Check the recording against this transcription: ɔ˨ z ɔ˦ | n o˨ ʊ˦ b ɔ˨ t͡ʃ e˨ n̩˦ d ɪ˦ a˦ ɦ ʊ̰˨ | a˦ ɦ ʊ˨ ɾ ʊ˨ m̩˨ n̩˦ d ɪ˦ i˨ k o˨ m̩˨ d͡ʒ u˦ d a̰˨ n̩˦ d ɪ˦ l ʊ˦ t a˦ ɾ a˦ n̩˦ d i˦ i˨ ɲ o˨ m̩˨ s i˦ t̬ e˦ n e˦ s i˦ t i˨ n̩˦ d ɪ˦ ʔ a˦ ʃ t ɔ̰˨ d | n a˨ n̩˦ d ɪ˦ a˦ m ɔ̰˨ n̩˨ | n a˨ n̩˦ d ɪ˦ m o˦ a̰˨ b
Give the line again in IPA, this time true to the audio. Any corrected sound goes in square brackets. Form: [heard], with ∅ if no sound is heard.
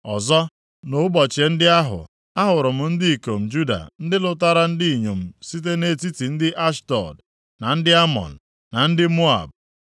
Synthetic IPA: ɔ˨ z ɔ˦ | n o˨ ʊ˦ b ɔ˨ t͡ʃ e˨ n̩˦ d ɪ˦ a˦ ɦ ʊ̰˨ | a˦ ɦ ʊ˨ ɾ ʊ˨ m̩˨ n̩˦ d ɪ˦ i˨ k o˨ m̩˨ d͡ʒ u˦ d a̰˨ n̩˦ d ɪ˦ l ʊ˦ t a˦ ɾ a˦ n̩˦ d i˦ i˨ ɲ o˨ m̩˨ s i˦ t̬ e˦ n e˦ [t] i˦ t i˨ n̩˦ d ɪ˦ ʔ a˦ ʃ t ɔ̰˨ d | n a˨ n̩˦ d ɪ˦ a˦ m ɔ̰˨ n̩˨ | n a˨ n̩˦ d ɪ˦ m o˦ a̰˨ b

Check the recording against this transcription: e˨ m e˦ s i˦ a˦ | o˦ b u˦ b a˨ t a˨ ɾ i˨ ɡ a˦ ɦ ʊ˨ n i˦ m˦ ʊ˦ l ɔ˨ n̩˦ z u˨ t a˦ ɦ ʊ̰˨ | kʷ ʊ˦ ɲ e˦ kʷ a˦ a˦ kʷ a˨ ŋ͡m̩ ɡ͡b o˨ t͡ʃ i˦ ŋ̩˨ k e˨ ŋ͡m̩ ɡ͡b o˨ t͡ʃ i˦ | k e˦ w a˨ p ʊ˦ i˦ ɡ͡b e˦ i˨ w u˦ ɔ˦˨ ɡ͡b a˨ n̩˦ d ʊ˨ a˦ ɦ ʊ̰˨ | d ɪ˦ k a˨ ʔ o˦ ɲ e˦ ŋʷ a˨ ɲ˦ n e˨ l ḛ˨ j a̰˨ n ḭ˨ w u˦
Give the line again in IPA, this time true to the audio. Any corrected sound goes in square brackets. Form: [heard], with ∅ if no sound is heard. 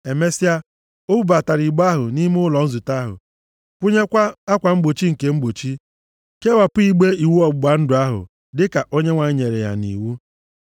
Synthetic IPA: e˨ m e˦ s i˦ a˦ | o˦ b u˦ b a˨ t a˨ ɾ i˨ [ɡ͡b] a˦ ɦ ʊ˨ n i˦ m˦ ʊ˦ l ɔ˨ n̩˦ z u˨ t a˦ ɦ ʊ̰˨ | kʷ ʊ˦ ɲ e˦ kʷ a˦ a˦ kʷ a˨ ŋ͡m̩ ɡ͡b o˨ t͡ʃ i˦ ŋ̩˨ k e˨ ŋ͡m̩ ɡ͡b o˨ t͡ʃ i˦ | k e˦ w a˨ p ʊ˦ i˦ ɡ͡b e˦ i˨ w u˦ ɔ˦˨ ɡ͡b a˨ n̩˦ d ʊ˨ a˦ ɦ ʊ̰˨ | d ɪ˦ k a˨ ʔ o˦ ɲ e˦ ŋʷ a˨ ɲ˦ [ɲ] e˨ [ɾ] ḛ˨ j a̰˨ n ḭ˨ w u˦

